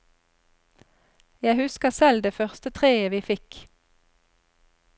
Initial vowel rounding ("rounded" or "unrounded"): unrounded